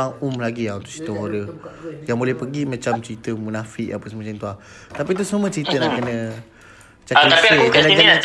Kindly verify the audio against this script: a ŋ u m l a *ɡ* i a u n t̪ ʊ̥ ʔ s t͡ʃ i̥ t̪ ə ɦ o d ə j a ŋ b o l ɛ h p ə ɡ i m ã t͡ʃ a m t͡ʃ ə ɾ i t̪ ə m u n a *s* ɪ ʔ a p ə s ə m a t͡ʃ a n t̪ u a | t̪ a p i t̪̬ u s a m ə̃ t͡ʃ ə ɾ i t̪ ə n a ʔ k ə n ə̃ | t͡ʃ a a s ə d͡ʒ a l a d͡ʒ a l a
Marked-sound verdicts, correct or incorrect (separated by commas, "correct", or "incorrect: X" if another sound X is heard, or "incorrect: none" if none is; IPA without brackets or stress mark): correct, incorrect: f